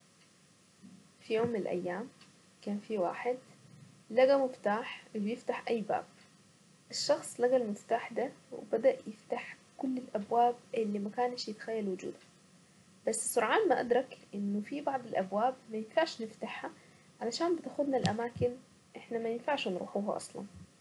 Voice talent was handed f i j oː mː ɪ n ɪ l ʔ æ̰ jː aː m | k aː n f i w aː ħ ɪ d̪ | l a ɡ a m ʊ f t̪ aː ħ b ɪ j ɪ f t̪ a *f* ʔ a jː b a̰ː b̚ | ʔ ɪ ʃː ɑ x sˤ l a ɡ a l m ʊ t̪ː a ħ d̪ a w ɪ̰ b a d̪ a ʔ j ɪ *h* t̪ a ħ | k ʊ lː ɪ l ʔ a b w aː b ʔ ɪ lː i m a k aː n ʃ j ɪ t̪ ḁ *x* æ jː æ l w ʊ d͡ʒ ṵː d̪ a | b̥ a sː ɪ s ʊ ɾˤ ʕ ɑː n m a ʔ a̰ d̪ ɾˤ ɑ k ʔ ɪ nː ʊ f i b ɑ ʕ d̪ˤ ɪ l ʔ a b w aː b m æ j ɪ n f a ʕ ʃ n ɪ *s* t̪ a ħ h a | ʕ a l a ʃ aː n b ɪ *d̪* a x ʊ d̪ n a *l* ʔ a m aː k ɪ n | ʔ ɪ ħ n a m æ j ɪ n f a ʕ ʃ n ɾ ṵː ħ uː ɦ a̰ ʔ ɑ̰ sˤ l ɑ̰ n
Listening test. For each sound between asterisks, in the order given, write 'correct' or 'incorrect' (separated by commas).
incorrect, incorrect, correct, incorrect, incorrect, correct